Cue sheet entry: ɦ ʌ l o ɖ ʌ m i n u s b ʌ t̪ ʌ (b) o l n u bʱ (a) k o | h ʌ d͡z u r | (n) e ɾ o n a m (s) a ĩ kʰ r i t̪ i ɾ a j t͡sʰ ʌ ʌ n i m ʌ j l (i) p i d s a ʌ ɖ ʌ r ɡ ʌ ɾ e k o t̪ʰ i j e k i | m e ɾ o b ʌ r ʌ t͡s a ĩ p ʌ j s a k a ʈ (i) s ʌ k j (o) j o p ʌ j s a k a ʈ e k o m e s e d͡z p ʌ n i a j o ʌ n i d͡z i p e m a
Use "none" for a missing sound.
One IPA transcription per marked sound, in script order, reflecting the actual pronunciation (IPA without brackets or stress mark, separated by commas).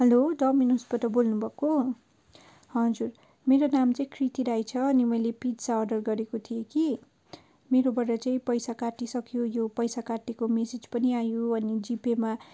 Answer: b, ʌ, m, t͡s, e, i, o